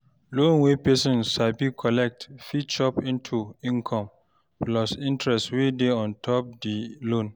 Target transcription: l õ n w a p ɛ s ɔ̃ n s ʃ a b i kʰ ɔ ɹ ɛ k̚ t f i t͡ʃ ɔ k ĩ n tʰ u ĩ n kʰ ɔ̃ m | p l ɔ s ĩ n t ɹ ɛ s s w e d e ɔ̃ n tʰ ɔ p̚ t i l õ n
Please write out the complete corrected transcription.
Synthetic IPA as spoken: l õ n w e p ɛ s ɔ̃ n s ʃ a b i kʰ ɔ l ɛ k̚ t f i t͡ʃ ɔ p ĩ n tʰ u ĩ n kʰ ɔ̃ m | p l ɔ s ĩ n t ɹ ɛ s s w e d e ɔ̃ n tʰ ɔ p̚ d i l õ n